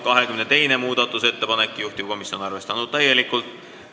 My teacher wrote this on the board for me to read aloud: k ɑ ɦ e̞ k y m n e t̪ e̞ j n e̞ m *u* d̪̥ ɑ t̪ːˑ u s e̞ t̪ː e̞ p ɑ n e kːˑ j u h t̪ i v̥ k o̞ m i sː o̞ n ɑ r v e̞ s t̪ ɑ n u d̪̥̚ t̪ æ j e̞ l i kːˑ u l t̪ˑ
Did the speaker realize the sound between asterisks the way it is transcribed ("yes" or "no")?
no